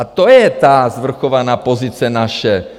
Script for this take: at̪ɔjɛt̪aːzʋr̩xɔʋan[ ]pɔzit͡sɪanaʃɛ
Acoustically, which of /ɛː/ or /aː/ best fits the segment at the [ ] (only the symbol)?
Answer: aː